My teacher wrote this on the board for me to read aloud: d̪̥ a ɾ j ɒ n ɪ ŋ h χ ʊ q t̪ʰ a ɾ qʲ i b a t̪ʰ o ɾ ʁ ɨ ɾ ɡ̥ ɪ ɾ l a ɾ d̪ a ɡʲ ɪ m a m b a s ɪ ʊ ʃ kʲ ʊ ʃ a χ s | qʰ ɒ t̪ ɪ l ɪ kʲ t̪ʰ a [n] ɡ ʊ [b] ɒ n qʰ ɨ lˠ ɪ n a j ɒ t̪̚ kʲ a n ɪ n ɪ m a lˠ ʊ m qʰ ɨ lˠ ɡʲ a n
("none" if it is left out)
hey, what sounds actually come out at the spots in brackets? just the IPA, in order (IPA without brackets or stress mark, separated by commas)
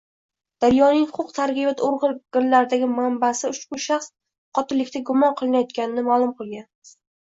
none, m